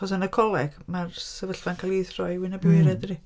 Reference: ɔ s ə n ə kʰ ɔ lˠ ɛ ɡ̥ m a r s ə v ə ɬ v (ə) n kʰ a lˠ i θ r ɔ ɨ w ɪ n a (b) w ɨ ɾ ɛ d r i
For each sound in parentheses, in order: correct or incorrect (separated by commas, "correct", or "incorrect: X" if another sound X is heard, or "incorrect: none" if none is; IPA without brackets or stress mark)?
incorrect: a, correct